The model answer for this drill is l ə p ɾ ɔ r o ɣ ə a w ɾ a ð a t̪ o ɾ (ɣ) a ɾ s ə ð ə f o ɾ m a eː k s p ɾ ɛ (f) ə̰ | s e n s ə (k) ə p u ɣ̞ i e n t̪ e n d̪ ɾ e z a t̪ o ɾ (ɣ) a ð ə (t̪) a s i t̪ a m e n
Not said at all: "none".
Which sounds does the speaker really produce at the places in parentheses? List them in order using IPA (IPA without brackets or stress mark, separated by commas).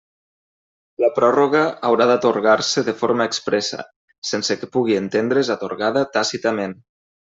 ɣ, s, k, ɣ, t̪